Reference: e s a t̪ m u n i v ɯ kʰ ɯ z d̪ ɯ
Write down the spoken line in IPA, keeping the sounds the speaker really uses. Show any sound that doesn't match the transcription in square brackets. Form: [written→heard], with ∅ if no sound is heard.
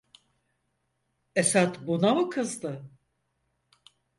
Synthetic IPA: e s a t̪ [m→b] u n [i→a] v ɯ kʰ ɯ z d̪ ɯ